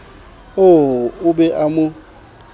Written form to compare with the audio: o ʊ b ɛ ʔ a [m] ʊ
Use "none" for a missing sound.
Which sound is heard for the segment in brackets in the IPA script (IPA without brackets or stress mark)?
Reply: m